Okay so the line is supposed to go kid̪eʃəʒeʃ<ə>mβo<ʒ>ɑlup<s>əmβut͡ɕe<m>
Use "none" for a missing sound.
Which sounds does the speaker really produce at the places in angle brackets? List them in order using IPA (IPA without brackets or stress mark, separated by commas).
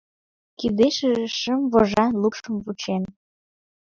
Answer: ə, ʒ, ʃ, n